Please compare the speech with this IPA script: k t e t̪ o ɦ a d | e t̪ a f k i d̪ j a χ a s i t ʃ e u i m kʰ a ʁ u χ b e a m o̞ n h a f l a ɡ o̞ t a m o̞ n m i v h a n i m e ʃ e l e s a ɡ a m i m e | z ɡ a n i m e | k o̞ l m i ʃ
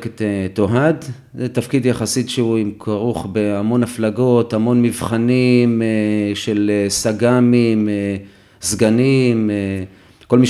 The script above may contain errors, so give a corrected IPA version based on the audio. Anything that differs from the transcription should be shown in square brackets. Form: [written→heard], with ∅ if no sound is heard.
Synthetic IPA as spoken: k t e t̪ o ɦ a d | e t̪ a f k i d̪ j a χ a s i t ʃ e u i m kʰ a ʁ u χ b e a m o̞ n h a f l a ɡ o̞ t a m o̞ n m i v [h→χ] a n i m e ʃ e l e s a ɡ a m i m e | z ɡ a n i m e | k o̞ l m i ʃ